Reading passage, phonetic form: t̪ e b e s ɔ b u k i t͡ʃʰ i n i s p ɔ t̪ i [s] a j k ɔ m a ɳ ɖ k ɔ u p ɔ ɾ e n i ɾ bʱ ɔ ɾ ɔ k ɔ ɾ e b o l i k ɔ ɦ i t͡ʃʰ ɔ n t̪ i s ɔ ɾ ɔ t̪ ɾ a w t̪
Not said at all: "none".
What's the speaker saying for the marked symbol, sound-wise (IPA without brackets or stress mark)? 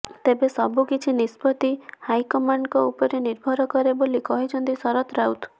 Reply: h